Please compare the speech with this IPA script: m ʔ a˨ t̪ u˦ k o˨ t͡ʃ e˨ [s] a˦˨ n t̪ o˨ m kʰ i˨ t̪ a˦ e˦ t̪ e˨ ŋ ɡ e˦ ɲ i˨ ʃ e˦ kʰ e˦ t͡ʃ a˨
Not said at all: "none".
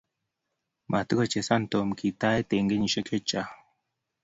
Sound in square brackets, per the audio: s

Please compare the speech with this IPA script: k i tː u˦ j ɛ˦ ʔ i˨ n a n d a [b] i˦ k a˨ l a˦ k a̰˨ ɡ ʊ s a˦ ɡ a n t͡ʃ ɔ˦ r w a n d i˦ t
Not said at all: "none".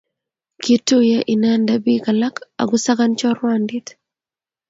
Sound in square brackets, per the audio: b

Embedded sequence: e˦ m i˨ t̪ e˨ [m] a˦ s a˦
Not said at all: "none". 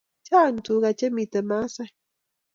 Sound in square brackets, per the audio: m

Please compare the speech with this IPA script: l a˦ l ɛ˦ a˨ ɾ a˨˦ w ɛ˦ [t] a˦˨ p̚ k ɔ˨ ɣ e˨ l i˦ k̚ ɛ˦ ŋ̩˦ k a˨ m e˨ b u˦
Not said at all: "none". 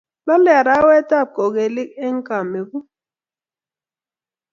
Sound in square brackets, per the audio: t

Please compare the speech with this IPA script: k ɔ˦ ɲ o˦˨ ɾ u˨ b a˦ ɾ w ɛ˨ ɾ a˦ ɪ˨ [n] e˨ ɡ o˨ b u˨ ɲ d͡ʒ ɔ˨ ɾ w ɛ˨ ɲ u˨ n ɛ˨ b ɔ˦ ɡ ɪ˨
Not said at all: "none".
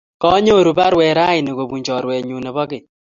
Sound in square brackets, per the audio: n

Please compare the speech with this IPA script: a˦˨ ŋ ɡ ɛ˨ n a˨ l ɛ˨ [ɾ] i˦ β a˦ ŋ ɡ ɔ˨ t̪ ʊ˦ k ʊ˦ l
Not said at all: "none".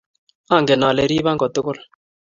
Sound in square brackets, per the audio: ɾ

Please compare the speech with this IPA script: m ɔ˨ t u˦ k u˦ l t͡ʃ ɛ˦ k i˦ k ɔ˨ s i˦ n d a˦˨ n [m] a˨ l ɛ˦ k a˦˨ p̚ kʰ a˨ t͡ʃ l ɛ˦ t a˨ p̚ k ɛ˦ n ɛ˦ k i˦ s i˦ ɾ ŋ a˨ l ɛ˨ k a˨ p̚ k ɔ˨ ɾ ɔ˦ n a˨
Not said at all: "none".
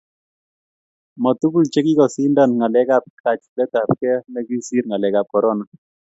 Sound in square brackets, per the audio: ŋ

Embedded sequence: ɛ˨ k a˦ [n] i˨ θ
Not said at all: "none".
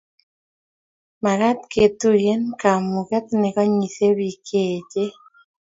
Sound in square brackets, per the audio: ɲ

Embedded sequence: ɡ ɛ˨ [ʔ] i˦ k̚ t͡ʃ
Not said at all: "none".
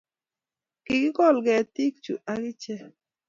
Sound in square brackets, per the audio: t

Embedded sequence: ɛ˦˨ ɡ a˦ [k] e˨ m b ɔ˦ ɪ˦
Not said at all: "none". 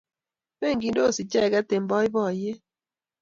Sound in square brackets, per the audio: t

